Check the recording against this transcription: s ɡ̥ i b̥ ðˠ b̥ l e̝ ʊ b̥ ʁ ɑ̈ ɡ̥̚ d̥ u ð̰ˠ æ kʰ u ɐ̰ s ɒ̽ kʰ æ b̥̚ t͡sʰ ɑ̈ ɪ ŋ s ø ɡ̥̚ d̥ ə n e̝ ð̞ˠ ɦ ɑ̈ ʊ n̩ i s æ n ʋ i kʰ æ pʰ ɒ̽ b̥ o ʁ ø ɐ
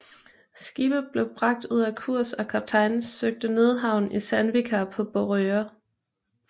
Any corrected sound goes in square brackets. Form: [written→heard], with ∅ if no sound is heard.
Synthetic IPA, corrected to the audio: s ɡ̥ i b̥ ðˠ b̥ l e̝ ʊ b̥ ʁ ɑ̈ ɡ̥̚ d̥ u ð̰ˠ æ kʰ u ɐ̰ s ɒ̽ kʰ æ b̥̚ t͡sʰ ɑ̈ ɪ [ŋ→n] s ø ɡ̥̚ d̥ ə n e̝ ð̞ˠ ɦ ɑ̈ ʊ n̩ i s æ n ʋ i kʰ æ pʰ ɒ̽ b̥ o ʁ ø ɐ